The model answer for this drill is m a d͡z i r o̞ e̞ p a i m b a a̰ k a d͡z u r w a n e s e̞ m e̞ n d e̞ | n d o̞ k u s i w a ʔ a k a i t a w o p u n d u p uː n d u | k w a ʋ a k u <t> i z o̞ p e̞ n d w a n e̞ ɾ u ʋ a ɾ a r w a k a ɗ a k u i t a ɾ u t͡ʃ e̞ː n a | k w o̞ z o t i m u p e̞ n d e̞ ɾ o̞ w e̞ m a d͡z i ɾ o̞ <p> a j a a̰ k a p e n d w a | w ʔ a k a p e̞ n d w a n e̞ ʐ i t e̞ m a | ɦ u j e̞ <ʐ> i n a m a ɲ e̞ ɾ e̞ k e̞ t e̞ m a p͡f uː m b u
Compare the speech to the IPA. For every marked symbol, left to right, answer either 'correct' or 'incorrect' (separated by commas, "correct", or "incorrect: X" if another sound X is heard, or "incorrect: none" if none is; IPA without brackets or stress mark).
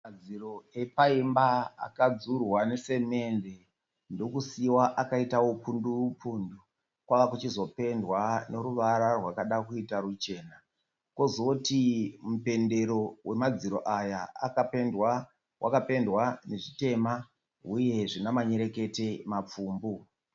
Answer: incorrect: t͡ʃ, incorrect: ʔ, correct